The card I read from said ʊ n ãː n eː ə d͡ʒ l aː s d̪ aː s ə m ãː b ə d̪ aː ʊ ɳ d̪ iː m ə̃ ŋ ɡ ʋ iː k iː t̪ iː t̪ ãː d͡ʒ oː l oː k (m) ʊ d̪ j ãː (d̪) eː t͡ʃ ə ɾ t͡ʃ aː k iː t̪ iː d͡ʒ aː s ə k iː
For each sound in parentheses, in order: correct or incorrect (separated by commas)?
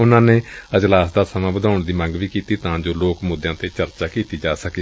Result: correct, incorrect